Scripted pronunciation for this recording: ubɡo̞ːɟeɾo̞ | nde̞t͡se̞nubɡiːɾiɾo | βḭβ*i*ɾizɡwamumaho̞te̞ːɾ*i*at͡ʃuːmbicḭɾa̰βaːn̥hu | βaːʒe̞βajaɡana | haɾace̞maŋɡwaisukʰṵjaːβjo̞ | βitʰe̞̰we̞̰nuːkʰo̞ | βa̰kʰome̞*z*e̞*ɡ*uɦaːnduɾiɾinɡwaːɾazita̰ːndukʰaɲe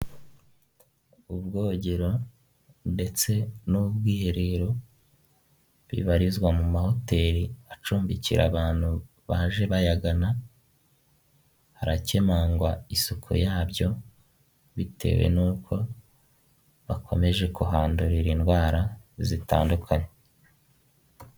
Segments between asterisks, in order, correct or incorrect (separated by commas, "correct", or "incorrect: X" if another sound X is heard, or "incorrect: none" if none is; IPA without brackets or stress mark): incorrect: a, correct, incorrect: ʒ, incorrect: k